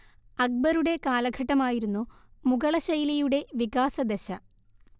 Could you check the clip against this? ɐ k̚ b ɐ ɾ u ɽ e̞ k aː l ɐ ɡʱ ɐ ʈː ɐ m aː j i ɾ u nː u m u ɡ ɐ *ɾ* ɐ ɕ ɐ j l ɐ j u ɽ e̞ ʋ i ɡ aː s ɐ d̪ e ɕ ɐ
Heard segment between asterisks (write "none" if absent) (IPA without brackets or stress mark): ɭ